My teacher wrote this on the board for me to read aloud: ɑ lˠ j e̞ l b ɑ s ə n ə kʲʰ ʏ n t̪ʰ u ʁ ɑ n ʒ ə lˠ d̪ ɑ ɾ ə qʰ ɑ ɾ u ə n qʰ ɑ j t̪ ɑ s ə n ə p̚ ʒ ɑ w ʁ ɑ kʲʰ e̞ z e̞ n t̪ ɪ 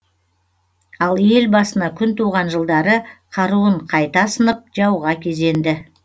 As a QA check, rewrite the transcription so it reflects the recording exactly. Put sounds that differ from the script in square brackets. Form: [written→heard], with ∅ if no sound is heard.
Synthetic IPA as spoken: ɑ lˠ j e̞ l b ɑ s ə n [ə→ɑ] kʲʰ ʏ n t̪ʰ u ʁ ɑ n ʒ ə lˠ d̪ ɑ ɾ ə qʰ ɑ ɾ u ə [n→ɴ] qʰ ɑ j t̪ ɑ s ə n ə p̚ ʒ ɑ w ʁ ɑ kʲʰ e̞ z e̞ n [t̪→d̪] ɪ

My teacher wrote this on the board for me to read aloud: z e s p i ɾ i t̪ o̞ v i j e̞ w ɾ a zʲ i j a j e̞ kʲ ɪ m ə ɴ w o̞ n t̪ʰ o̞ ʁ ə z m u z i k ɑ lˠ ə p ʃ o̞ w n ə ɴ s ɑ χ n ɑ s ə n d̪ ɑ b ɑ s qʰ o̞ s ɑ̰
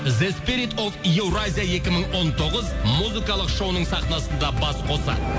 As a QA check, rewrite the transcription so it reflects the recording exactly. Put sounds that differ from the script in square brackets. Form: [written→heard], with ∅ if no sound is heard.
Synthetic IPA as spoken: z e s p i ɾ i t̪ o̞ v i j e̞ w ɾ a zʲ i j a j e̞ kʲ ɪ m ə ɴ w o̞ n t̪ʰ o̞ ʁ ə z m u z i k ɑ lˠ ə [p→q] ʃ o̞ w n ə ɴ s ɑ χ n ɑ s ə n d̪ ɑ b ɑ s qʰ o̞ s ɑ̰

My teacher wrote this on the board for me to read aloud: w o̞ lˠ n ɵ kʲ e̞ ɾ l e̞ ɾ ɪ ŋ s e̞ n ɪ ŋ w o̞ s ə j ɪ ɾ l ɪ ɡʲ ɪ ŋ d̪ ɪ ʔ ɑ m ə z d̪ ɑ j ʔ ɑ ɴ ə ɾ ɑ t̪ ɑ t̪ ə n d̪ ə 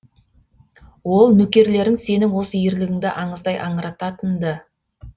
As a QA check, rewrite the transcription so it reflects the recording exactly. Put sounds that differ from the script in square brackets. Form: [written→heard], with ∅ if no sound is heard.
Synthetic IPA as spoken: w o̞ lˠ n ɵ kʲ e̞ ɾ l e̞ ɾ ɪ ŋ s e̞ n ɪ ŋ w o̞ s ə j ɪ ɾ l ɪ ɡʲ ɪ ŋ d̪ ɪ ʔ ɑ [m→ɴ] ə z d̪ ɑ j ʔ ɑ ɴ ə ɾ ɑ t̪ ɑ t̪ ə n d̪ ə

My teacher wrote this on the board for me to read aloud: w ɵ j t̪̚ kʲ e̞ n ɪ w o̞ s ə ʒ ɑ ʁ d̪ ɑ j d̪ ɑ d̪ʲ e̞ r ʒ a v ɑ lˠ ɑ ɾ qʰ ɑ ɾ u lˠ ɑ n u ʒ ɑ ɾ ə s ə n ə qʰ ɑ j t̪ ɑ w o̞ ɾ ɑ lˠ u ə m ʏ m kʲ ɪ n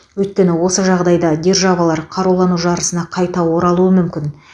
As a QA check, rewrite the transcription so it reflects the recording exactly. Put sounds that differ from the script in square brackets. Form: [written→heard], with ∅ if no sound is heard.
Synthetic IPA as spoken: w ɵ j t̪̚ kʲ e̞ n ɪ w o̞ s ə ʒ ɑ ʁ d̪ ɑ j d̪ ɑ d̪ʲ e̞ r ʒ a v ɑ lˠ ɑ ɾ qʰ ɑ ɾ u lˠ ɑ n u ʒ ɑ ɾ ə s ə n [ə→ɑ] qʰ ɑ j t̪ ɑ w o̞ ɾ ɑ lˠ u ə m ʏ m kʲ ɪ n

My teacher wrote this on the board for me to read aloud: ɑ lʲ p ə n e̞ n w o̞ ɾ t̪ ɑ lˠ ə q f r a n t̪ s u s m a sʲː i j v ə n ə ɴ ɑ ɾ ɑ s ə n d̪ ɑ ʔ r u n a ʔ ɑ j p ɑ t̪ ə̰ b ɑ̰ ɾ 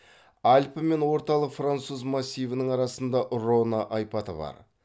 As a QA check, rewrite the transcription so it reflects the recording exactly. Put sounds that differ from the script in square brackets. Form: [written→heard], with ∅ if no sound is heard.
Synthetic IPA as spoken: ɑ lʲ p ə [n→m] e̞ n w o̞ ɾ t̪ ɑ lˠ ə q f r a n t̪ s u [s→z] m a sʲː i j v ə n ə ɴ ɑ ɾ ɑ s ə n d̪ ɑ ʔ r [u→o] n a ʔ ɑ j p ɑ t̪ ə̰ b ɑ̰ ɾ

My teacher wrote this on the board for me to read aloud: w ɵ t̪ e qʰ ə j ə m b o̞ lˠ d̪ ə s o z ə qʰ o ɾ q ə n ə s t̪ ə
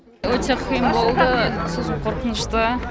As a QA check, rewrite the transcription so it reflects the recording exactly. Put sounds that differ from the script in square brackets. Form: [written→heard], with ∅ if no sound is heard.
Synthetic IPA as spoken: w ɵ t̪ e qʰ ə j ə m b o̞ lˠ d̪ ə s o z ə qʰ o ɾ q ə n ə [s→ʃ] t̪ ə

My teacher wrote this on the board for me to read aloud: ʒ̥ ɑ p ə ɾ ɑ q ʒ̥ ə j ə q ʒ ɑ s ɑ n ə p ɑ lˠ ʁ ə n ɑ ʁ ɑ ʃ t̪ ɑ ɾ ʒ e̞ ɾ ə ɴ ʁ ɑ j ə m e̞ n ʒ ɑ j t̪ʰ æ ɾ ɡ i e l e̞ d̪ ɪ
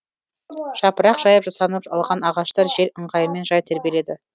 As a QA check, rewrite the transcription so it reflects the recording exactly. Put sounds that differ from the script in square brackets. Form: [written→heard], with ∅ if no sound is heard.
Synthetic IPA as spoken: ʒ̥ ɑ p ə ɾ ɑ q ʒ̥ [ə→ɑ] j ə [q→p] ʒ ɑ s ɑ n ə p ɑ lˠ ʁ [ə→ɑ] n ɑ ʁ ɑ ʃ t̪ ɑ ɾ ʒ e̞ ɾ ə ɴ ʁ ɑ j ə m e̞ n ʒ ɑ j t̪ʰ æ ɾ [ɡ→b] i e l e̞ d̪ ɪ

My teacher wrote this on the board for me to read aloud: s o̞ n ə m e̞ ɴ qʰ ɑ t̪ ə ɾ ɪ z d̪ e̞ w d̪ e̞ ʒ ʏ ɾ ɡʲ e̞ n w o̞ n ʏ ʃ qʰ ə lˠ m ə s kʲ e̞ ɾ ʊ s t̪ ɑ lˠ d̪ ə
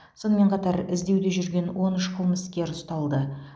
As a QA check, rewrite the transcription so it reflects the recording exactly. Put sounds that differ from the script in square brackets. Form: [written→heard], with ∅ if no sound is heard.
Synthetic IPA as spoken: s o̞ n ə m e̞ ɴ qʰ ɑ t̪ [ə→ɑ] ɾ ɪ z d̪ e̞ w d̪ e̞ ʒ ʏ ɾ ɡʲ e̞ n w o̞ n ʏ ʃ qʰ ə lˠ m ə s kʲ e̞ ɾ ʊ s t̪ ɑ lˠ d̪ ə

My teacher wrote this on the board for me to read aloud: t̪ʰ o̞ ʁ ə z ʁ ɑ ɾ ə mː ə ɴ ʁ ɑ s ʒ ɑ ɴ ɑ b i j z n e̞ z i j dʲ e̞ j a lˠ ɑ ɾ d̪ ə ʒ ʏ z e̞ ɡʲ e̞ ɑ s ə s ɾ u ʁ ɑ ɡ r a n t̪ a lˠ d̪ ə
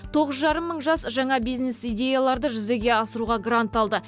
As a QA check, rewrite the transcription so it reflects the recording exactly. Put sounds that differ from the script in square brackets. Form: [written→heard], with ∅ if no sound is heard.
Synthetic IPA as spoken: t̪ʰ o̞ ʁ ə z [ʁ→ʒ] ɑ ɾ ə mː ə ɴ [ʁ→ʒ] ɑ s ʒ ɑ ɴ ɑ b i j z n e̞ [z→s] i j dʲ e̞ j a lˠ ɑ ɾ d̪ ə ʒ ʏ z e̞ ɡʲ e̞ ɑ s ə [s→∅] ɾ u ʁ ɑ ɡ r a n t̪ [a→ɑ] lˠ d̪ ə

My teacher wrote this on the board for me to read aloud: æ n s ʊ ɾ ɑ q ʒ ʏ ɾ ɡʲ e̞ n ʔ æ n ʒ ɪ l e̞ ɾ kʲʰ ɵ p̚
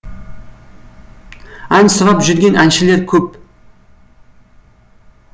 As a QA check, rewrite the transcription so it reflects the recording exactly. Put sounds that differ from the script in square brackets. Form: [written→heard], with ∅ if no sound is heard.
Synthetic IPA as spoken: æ n s ʊ ɾ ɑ [q→p] ʒ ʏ ɾ ɡʲ e̞ n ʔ æ n [ʒ→ʃ] ɪ l e̞ ɾ kʲʰ ɵ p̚

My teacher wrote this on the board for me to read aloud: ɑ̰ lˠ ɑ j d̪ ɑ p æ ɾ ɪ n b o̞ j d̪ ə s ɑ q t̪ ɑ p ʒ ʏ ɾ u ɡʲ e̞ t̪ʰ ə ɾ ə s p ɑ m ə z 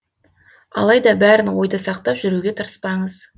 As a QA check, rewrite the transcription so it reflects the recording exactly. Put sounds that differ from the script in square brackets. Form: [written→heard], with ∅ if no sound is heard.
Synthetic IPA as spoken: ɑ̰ lˠ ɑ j d̪ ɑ [p→b] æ ɾ ɪ n [b→w] o̞ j d̪ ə s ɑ q t̪ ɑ p ʒ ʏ ɾ u ɡʲ e̞ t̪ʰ ə ɾ ə s p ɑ [m→ɴ] ə z

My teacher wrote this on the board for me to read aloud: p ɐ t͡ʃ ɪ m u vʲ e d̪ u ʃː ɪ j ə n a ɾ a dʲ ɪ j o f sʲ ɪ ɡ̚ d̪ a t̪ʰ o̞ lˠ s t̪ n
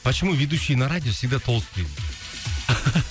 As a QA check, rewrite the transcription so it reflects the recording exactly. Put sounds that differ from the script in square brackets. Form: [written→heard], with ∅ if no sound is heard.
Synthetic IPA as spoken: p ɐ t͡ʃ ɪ m u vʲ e d̪ u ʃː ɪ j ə n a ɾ a dʲ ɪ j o f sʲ ɪ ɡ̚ d̪ a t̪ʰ o̞ lˠ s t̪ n

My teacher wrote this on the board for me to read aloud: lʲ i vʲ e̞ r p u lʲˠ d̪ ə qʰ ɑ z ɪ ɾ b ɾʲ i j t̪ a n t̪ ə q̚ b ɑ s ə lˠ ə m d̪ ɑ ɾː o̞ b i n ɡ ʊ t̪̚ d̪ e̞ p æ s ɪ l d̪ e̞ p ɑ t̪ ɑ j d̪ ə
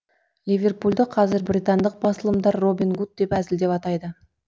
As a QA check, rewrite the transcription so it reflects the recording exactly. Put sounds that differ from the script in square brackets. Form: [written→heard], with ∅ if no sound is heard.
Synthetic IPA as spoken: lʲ i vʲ e̞ r p u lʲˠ d̪ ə qʰ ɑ z ɪ ɾ b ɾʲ i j t̪ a n [t̪→d̪] ə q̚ b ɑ s ə lˠ ə m d̪ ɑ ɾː o̞ b i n ɡ [ʊ→u] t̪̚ d̪ e̞ p æ [s→z] ɪ l d̪ e̞ p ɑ t̪ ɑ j d̪ ə

